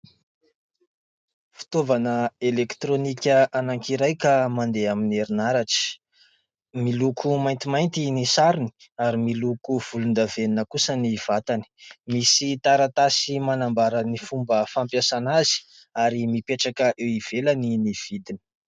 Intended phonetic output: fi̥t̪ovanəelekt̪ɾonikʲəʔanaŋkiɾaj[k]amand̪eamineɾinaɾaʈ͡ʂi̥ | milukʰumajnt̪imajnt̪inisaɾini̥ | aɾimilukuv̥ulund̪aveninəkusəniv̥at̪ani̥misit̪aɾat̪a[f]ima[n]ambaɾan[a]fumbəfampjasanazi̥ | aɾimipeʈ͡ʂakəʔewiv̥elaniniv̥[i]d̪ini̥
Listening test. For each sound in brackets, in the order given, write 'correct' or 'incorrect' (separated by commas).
correct, incorrect, correct, incorrect, correct